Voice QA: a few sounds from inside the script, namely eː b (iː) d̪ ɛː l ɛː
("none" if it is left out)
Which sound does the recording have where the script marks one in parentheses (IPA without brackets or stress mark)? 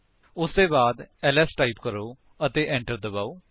aː